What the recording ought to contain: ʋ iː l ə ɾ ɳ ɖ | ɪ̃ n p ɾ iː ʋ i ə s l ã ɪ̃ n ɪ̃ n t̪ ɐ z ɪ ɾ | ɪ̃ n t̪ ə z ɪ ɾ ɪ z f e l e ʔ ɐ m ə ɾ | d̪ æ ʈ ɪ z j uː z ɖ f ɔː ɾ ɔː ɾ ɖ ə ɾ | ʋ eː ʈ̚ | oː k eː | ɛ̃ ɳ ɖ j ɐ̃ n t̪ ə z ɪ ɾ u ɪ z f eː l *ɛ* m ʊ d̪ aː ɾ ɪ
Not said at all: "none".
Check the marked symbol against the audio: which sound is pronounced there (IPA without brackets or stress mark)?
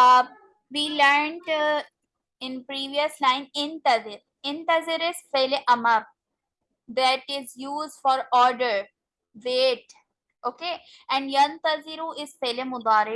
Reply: e